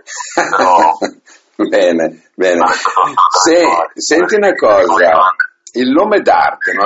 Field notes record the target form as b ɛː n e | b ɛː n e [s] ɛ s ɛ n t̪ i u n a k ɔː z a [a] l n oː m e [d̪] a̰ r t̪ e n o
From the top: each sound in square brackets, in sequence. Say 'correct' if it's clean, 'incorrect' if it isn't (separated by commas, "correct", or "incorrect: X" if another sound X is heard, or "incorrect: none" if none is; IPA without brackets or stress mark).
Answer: correct, incorrect: i, correct